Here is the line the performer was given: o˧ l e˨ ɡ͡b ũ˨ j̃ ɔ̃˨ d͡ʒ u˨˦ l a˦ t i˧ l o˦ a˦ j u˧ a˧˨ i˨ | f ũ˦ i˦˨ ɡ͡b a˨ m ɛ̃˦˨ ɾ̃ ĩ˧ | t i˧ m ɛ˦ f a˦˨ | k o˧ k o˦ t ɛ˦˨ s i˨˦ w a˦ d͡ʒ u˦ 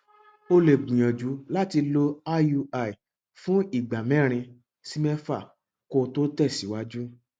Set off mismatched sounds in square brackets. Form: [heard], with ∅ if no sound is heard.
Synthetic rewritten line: o˧ l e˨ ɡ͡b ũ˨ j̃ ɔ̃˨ d͡ʒ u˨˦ l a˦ t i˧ l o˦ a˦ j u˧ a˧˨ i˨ | f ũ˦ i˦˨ ɡ͡b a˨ m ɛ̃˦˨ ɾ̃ ĩ˧ | [s] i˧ m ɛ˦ f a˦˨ | k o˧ [t] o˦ t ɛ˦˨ s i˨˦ w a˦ d͡ʒ u˦